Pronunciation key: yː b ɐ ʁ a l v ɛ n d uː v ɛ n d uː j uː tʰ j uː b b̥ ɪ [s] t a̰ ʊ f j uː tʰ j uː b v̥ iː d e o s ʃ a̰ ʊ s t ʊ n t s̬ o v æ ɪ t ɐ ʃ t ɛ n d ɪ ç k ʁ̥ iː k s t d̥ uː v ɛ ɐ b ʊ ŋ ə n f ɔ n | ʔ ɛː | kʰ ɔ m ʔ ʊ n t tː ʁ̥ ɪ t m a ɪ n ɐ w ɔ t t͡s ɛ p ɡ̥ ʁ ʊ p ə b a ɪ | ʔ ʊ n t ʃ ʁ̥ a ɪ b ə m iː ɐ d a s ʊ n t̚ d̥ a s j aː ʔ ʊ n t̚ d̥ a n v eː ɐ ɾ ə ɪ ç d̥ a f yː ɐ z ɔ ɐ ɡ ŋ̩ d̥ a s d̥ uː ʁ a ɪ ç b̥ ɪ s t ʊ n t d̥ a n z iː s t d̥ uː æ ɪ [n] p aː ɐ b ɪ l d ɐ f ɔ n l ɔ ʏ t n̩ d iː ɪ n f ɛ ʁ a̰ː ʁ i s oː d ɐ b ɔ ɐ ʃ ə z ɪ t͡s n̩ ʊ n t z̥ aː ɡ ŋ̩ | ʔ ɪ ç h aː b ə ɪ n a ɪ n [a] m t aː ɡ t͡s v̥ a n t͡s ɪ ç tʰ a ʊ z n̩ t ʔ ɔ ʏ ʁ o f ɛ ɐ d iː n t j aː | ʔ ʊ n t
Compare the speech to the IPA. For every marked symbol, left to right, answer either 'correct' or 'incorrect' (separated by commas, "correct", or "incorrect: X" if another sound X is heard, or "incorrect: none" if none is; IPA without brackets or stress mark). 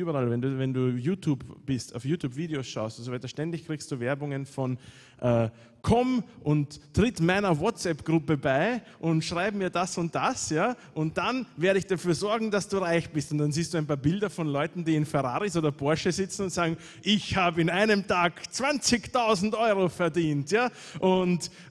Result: correct, correct, incorrect: ə